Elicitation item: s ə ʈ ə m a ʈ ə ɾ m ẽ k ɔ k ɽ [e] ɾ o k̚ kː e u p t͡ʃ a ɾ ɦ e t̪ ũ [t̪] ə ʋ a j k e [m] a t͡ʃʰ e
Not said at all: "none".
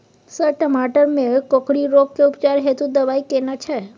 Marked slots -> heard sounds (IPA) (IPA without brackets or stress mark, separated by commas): i, d̪, n